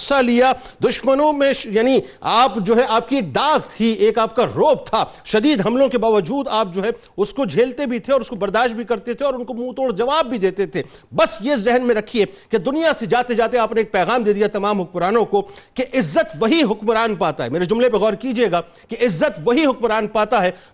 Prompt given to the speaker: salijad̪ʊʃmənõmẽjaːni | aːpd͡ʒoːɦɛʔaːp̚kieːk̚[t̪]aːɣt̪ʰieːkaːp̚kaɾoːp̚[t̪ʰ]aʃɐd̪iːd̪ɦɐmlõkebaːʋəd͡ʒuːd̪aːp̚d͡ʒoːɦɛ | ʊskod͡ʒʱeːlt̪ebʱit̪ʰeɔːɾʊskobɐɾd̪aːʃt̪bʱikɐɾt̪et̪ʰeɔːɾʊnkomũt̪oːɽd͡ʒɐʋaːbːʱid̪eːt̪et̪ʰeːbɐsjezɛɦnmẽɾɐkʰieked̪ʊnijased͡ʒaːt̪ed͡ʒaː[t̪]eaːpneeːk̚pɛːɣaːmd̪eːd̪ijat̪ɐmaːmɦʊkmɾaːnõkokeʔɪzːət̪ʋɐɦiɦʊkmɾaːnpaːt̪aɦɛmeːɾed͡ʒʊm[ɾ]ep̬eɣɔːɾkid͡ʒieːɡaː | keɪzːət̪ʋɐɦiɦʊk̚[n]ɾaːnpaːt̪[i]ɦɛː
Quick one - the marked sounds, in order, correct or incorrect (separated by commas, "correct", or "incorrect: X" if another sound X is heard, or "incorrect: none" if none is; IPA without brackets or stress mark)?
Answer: incorrect: d̪, correct, correct, incorrect: l, incorrect: m, incorrect: a